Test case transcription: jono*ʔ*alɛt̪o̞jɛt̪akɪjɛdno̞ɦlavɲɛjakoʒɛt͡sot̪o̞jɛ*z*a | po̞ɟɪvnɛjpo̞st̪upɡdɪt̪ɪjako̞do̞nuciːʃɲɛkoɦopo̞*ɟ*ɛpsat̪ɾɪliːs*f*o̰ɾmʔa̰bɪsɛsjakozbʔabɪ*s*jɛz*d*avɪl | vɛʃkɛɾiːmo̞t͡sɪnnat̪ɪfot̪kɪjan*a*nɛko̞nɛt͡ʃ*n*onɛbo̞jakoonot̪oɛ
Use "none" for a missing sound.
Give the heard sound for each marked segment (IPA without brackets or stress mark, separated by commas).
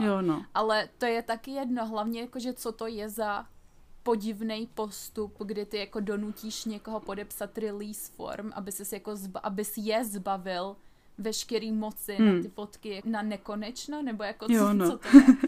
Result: ʔ, z, d, f, s, b, a, n